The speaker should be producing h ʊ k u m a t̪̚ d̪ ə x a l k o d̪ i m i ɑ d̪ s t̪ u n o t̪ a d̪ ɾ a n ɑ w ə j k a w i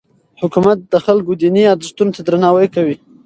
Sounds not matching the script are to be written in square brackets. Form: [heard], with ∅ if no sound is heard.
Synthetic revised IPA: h ʊ k u m a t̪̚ d̪ ə x a l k o d̪ i [n] i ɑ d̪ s t̪ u n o t̪ a d̪ ɾ a n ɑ w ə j k a w i